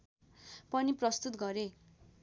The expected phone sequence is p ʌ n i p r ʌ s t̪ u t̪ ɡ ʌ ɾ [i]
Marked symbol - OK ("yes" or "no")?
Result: no